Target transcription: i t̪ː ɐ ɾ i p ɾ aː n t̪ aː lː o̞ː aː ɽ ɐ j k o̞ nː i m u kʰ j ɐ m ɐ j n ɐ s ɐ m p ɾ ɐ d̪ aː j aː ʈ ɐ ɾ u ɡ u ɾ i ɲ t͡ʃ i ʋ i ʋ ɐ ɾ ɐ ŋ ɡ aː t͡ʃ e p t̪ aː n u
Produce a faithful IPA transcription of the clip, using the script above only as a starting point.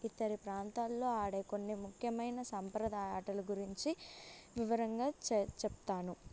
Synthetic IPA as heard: i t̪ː ɐ ɾ i p ɾ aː n t̪ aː lː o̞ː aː ɽ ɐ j k o̞ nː i m u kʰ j ɐ m ɐ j n ɐ s ɐ m p ɾ ɐ d̪ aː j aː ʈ ɐ l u ɡ u ɾ i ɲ t͡ʃ i ʋ i ʋ ɐ ɾ ɐ ŋ ɡ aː t͡ʃ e p t̪ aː n u